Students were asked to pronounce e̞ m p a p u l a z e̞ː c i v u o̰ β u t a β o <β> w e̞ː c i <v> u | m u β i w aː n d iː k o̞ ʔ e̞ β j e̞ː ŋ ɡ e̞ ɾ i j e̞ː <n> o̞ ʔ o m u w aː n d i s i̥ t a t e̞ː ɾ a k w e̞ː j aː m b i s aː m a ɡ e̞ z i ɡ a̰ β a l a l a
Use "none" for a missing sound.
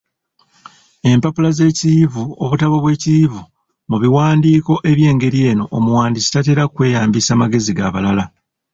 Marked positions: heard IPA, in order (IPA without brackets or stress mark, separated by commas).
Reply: β, v, n